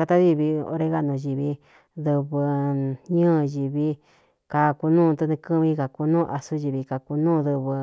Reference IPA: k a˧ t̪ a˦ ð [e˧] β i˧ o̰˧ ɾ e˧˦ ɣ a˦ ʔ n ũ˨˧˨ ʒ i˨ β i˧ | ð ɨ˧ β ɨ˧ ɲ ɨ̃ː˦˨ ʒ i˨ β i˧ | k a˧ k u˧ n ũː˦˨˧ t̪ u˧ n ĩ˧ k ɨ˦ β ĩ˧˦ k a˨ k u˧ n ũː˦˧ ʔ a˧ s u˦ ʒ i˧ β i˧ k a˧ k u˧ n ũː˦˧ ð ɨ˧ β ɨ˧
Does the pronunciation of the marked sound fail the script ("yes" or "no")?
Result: yes